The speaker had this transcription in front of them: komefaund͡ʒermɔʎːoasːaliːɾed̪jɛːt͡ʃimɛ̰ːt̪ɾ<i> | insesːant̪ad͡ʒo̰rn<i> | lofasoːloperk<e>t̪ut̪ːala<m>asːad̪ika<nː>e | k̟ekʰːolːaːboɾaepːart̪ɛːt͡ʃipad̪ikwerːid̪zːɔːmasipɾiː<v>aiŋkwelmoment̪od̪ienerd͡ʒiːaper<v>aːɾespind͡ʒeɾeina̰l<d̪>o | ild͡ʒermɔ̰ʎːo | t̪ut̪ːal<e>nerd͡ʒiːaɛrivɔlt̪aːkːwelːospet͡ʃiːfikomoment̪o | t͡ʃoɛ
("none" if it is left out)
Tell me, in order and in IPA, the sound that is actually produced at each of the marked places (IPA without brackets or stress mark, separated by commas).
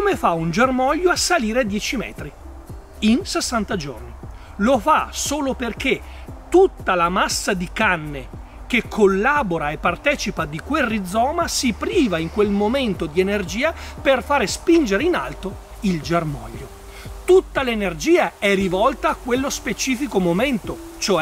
i, i, e, m, nː, v, f, t̪, e